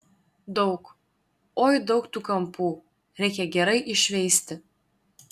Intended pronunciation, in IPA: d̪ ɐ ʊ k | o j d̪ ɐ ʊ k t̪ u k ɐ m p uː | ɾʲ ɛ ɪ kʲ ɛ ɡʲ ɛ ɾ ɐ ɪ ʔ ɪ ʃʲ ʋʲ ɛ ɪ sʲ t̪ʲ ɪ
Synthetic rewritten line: d̪ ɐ ʊ k | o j d̪ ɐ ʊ k t̪ u k ɐ m p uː | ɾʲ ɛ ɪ kʲ ɛ ɡʲ ɛ ɾ ɐ ɪ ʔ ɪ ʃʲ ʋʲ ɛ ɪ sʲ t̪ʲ ɪ